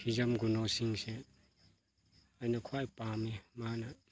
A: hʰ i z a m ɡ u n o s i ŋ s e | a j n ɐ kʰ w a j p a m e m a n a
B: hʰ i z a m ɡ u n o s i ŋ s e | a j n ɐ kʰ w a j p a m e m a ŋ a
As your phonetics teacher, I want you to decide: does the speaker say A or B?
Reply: A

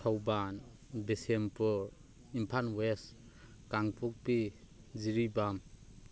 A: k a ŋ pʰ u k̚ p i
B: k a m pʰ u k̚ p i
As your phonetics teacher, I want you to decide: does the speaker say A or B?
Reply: A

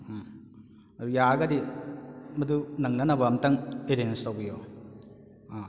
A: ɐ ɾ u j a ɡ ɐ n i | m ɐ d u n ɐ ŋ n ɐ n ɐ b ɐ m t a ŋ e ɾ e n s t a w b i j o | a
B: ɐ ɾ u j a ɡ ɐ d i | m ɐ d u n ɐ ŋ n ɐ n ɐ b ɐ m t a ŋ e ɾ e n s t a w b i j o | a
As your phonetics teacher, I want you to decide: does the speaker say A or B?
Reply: B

